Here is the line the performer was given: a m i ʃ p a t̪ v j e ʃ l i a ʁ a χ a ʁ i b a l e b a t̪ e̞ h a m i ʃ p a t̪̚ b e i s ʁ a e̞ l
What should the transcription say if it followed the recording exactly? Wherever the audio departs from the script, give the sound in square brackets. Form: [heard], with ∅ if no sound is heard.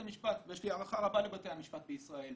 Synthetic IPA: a m i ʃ p a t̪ v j e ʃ l i a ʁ a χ a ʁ [a] b a l e b a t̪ e̞ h a m i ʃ p a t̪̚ b e i s ʁ a e̞ l